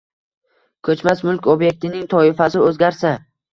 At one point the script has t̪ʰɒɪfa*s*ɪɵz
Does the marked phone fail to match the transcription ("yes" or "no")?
no